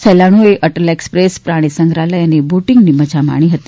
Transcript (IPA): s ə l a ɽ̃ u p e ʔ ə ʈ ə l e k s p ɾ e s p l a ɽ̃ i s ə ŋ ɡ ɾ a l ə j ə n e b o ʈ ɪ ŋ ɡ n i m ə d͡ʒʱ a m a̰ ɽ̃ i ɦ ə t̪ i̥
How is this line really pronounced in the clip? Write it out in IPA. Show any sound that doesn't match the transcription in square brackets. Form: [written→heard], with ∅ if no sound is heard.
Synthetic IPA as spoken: s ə l a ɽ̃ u [p→∅] e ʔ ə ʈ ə l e k s p ɾ e s p [l→ɾ] a ɽ̃ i s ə ŋ ɡ ɾ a l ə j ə n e b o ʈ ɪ ŋ ɡ n i m ə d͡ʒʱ a m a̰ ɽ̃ i ɦ ə t̪ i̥